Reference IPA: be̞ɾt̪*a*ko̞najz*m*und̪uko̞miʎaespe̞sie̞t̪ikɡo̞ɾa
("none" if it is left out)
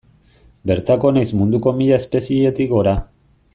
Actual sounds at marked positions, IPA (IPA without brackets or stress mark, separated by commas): a, m